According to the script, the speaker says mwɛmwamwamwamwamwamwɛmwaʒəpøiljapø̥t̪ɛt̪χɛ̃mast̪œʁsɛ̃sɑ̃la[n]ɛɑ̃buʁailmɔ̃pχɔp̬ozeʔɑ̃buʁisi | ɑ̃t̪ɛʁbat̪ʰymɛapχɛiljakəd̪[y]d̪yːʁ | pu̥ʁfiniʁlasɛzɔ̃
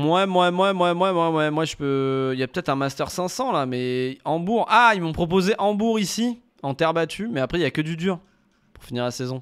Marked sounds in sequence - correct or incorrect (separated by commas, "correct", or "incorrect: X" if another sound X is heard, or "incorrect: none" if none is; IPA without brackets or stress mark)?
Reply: incorrect: m, correct